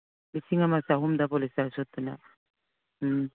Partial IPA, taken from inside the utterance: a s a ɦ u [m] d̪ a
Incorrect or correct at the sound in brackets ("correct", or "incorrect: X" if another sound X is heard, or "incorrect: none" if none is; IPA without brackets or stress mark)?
correct